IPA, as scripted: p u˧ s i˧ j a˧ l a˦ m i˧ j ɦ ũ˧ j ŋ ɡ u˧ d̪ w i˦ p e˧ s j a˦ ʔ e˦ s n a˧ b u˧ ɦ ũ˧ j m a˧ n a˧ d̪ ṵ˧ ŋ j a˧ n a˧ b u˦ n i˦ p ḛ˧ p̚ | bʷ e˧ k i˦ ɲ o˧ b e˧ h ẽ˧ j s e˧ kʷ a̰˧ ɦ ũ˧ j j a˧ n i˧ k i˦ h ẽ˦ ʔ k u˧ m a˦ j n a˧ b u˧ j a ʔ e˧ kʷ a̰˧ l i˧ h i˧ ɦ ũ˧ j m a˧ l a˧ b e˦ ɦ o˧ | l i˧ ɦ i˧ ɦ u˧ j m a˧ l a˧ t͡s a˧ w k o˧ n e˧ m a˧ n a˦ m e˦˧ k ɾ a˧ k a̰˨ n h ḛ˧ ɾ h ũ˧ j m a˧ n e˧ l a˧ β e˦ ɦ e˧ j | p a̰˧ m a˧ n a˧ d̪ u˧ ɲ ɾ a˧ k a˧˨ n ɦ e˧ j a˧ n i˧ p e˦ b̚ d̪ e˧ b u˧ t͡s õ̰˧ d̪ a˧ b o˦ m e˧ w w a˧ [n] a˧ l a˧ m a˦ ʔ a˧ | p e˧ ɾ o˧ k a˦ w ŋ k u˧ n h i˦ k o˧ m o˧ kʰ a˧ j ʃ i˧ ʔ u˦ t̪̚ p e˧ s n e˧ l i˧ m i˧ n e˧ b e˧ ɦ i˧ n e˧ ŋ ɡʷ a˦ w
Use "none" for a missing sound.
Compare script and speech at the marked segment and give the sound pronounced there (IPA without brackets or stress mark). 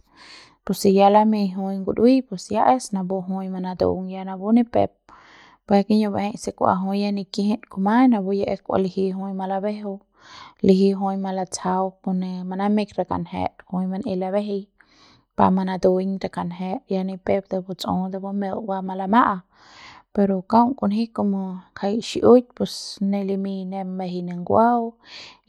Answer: m